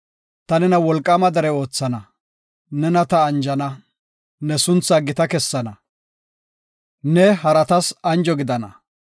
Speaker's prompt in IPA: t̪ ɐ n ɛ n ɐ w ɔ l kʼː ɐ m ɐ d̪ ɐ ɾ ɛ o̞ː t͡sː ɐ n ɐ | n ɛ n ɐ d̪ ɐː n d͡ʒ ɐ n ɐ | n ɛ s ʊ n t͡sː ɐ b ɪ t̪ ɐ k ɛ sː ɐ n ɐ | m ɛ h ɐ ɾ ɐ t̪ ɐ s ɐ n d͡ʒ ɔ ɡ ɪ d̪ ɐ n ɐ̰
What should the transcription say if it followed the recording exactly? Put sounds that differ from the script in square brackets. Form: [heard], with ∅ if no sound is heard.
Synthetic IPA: t̪ ɐ n ɛ n ɐ w ɔ l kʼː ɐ m ɐ d̪ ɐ ɾ ɛ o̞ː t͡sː ɐ n ɐ | n ɛ n ɐ [t̪] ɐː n d͡ʒ ɐ n ɐ | n ɛ s ʊ n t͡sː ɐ [ɡ] ɪ t̪ ɐ k ɛ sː ɐ n ɐ | [n] ɛ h ɐ ɾ ɐ t̪ ɐ s ɐ n d͡ʒ ɔ ɡ ɪ d̪ ɐ n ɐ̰

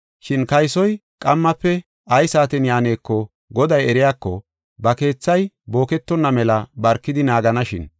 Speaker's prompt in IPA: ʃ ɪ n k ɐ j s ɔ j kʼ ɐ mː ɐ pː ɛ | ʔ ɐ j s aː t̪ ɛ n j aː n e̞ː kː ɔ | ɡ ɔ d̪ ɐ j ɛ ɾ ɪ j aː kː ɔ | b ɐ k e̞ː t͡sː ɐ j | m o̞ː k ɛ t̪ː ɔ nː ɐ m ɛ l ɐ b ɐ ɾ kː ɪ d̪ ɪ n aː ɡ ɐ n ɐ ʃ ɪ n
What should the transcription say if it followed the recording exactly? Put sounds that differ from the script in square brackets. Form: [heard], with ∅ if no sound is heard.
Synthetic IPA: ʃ ɪ n k ɐ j s ɔ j kʼ ɐ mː ɐ pː ɛ | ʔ ɐ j s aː t̪ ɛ n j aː n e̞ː kː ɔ | ɡ ɔ d̪ ɐ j ɛ ɾ ɪ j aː kː ɔ | b ɐ k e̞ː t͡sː ɐ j | [b] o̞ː k ɛ t̪ː ɔ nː ɐ m ɛ l ɐ b ɐ ɾ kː ɪ d̪ ɪ n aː ɡ ɐ n ɐ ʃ ɪ n

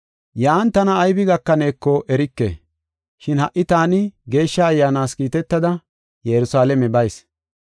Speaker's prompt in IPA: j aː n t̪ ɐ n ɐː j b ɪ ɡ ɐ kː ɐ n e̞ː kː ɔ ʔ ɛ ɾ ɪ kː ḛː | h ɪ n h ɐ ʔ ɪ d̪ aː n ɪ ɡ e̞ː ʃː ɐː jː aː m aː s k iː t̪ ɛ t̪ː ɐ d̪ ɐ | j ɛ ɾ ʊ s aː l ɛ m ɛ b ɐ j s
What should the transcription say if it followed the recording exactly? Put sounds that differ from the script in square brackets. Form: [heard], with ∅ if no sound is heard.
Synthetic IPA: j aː n t̪ ɐ n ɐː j b ɪ ɡ ɐ kː ɐ n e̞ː kː ɔ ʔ ɛ ɾ ɪ kː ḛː | [ʃ] ɪ n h ɐ ʔ ɪ [t̪] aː n ɪ ɡ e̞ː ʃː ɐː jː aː [n] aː s k iː t̪ ɛ t̪ː ɐ d̪ ɐ | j ɛ ɾ ʊ s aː l ɛ m ɛ b ɐ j s

